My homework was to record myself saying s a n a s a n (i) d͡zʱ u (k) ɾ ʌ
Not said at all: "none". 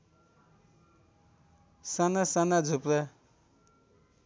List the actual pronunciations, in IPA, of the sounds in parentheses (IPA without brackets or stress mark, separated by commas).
a, p